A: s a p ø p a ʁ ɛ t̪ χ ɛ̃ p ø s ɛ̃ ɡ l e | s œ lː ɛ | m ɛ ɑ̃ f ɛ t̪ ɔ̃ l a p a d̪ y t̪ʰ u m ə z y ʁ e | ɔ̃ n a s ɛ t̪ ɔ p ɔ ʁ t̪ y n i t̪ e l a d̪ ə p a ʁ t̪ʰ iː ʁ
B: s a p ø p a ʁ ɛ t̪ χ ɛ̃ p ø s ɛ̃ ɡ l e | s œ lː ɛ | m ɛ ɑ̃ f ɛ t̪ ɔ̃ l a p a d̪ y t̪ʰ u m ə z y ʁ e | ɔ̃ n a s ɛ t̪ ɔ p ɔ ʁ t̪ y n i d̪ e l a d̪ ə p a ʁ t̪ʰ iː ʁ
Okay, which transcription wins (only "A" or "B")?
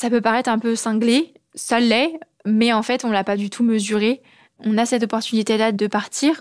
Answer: A